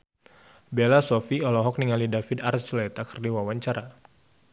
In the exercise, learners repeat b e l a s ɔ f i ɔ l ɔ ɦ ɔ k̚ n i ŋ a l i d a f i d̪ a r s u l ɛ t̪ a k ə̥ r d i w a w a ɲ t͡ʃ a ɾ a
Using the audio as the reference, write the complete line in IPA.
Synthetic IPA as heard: b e l a s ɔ f i ɔ l ɔ ɦ ɔ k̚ n i ŋ a l i d a f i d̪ a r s u l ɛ t̪ a k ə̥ r d i w a w a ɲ t͡ʃ a ɾ a